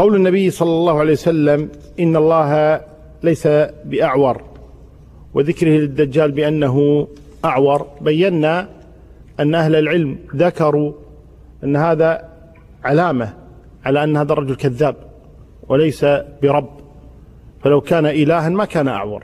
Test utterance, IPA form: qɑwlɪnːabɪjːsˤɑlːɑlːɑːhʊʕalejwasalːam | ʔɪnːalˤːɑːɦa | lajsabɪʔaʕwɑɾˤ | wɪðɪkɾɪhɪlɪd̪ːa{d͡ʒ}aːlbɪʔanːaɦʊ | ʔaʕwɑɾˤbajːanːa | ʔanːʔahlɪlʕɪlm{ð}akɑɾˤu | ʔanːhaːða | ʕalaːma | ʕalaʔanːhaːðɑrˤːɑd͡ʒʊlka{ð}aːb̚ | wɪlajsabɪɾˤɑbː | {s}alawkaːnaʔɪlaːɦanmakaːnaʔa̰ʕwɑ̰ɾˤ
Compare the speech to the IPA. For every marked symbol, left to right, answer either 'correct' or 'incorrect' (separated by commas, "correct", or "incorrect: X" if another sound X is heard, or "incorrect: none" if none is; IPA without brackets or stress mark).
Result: incorrect: d͡ʒː, correct, incorrect: ðː, incorrect: f